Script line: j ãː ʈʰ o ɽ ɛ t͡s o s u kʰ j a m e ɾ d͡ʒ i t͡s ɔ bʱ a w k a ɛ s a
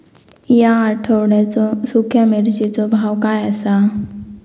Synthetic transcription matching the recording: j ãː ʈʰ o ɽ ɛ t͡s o s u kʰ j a m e ɾ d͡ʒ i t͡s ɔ bʱ a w k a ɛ s a

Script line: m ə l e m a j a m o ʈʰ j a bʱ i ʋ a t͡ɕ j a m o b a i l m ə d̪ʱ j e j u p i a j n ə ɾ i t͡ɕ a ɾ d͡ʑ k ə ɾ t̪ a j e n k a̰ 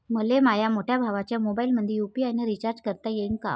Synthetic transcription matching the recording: m ə l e m a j a m o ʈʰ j a bʱ a ʋ a t͡ɕ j a m o b a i l m ə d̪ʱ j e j u p i a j n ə ɾ i t͡ɕ a ɾ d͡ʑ k ə ɾ t̪ a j e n k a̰

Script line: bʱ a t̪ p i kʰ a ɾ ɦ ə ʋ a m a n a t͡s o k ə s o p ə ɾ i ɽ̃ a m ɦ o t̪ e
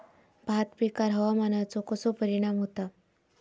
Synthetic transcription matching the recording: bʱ a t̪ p i k a ɾ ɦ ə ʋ a m a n a t͡s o k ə s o p ə ɾ i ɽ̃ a m ɦ o t̪ a

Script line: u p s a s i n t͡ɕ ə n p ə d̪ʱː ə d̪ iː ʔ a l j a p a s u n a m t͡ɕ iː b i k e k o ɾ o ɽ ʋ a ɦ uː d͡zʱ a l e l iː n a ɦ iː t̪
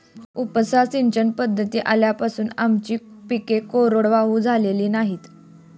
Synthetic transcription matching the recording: u p s a s i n t͡ɕ ə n p ə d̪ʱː ə t̪ iː ʔ a l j a p a s uː n a m t͡ɕ iː p i k e k o ɾ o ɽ ʋ a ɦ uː d͡zʱ a l e l iː n a ɦ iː t̪

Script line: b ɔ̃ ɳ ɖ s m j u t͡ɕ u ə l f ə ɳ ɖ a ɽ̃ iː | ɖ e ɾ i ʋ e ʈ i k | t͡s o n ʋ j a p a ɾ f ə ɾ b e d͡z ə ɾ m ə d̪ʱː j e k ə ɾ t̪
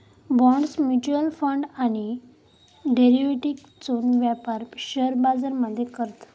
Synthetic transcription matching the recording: b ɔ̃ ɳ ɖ s m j u t͡ɕ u ə l f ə ɳ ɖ a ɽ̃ i | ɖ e ɾ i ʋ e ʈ i k | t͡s o n ʋ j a p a ɾ ɕ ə ɾ b a d͡z ə ɾ m ə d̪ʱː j e k ə ɾ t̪

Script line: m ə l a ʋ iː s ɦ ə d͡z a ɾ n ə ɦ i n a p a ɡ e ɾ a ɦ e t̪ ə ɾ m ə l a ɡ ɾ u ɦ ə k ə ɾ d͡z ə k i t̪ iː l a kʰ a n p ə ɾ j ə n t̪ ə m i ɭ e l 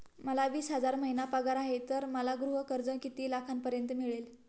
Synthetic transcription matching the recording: m ə l a ʋ iː s ɦ ə d͡z a ɾ m ə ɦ i n a p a ɡ a ɾ a ɦ e t̪ ə ɾ m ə l a ɡ ɾ u ɦ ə k ə ɾ d͡z ə k i t̪ iː l a kʰ a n p ə ɾ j ə n t̪ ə m i ɭ e l

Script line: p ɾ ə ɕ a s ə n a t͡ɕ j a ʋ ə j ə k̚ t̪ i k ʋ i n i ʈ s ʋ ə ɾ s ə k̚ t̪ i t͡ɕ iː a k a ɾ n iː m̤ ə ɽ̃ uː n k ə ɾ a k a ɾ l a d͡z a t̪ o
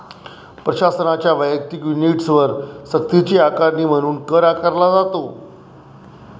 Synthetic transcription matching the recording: p ɾ ə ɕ a s ə n a t͡ɕ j a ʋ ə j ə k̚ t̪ i k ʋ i n i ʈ s ʋ ə ɾ s ə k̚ t̪ i t͡ɕ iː a k a ɾ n iː m̤ ə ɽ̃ uː n k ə ɾ a k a ɾ l a d͡z a t̪ o

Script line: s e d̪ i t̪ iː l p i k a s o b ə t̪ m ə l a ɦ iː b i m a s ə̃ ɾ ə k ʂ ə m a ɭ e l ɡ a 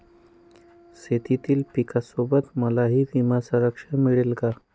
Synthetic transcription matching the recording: s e t̪ i t̪ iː l p i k a s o b ə t̪ m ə l a ɦ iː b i m a s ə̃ ɾ ə k ʂ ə m i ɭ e l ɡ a

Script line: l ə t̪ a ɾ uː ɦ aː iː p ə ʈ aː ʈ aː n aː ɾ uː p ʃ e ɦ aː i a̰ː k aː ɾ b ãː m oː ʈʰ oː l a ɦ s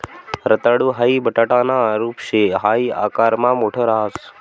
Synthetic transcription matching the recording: ɾ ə t̪ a ɽ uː ɦ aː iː b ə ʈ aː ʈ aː n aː ɾ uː p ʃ e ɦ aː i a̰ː k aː ɾ m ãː m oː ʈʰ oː ɾ a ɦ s

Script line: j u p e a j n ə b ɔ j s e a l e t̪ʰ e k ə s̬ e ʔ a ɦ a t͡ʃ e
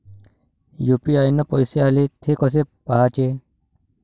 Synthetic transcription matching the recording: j u p i a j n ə p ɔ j s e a l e t̪ʰ e k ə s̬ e p a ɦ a t͡ʃ e

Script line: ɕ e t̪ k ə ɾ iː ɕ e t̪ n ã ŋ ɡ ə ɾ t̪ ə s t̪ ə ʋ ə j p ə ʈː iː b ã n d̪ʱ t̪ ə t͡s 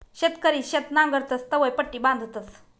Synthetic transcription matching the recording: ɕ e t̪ k ə ɾ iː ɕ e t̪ n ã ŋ ɡ ə ɾ t̪ ə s t̪ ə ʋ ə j p ə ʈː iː b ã n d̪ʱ t̪ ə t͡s

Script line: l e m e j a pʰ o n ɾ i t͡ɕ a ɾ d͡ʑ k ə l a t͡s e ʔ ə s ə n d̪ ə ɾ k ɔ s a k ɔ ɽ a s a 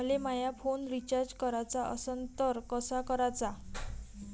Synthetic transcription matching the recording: l e m a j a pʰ o n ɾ i t͡ɕ a ɾ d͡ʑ k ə ɾ a t͡s a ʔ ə s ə n t̪ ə ɾ k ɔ s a k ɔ ɾ a t͡s a

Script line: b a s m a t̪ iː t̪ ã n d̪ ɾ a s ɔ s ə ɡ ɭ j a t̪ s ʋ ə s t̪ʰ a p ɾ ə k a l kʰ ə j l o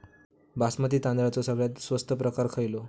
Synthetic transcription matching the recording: b a s m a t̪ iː t̪ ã n d̪ ɾ a t͡s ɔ s ə ɡ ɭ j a t̪ s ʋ ə s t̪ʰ ə p ɾ ə k a ɾ kʰ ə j l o

